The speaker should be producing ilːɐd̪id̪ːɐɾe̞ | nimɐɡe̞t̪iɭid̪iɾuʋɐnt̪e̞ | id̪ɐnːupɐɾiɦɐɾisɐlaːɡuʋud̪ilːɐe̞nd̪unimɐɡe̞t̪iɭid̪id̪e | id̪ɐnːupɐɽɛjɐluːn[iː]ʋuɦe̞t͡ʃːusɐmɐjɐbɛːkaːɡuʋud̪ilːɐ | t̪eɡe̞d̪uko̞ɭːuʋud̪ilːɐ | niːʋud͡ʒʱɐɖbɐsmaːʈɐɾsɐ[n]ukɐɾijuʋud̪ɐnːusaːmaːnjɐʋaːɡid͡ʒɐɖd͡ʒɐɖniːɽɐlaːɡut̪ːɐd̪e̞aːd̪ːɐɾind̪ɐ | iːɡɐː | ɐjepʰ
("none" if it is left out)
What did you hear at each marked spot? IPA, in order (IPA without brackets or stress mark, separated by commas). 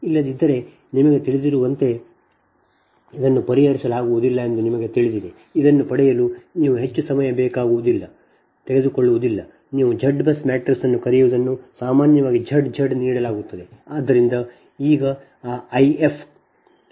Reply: iː, nː